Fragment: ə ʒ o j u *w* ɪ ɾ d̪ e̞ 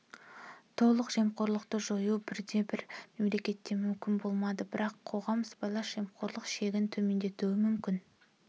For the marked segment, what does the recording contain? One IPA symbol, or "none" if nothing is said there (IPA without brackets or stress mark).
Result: b